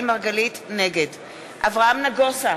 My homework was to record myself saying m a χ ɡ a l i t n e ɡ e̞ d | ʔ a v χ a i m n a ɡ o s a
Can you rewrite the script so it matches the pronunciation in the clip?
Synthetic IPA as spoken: m a ʁ ɡ a l i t n e ɡ e̞ d | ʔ a v ʁ a a m n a ɡ o s a